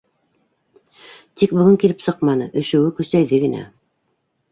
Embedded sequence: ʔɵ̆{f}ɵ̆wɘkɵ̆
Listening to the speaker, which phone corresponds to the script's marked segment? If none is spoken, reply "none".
ʃ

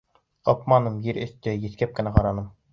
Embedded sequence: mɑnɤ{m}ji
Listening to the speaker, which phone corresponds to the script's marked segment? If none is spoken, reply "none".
m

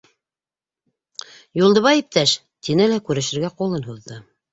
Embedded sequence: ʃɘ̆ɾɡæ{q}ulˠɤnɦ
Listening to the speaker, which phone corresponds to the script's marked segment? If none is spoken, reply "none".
q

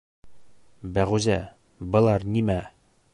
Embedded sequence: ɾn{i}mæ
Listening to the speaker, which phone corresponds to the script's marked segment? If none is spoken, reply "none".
i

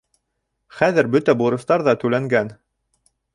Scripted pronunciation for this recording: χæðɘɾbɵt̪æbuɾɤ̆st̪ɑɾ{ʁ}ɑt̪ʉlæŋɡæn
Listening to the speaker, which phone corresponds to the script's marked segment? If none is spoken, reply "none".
ð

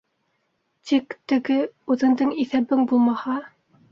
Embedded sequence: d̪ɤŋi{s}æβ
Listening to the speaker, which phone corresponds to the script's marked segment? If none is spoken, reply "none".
θ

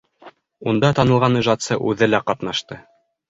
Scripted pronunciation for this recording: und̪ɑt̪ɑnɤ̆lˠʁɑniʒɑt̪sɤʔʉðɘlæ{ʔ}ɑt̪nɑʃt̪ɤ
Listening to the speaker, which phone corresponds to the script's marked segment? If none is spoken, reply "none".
q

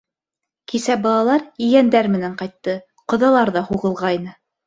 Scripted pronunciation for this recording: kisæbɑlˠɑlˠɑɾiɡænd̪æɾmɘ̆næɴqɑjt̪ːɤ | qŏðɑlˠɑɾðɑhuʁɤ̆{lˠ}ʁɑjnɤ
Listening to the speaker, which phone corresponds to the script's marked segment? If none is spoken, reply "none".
lˠ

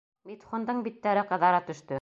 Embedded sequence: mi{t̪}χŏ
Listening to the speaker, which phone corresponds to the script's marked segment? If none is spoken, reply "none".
t̪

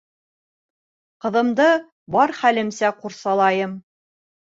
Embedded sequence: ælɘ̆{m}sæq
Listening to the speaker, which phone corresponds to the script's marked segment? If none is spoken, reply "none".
m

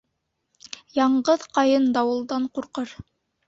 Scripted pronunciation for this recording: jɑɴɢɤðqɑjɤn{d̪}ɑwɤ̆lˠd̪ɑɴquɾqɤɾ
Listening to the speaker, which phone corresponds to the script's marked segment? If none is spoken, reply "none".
d̪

